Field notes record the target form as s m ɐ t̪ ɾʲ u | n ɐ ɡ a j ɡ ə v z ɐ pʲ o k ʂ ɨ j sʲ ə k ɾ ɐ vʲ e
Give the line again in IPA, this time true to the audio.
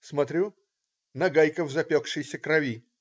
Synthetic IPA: s m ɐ t̪ ɾʲ u | n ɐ ɡ a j k ə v z ɐ pʲ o k ʂ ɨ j sʲ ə k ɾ ɐ vʲ i